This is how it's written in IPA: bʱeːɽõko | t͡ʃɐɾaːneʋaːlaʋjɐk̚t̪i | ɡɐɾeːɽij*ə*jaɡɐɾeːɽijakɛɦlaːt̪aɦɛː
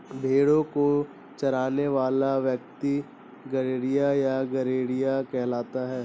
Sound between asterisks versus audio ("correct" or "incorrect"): incorrect